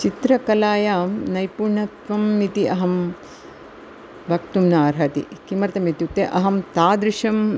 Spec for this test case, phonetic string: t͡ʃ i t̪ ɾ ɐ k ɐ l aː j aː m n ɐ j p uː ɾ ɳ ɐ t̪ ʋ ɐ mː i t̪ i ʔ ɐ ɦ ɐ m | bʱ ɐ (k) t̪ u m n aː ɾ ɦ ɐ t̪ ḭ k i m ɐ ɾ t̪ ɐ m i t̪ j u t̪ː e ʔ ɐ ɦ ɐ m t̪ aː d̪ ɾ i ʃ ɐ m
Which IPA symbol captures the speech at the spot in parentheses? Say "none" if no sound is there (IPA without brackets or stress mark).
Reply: k